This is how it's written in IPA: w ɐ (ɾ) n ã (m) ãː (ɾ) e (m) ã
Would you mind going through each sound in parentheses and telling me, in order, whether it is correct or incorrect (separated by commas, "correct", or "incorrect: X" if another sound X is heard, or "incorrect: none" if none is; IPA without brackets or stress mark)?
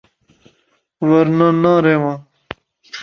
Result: correct, incorrect: n, correct, correct